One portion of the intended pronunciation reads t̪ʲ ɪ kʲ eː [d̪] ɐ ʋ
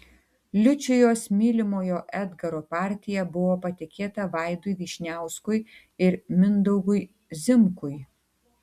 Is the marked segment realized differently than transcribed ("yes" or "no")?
yes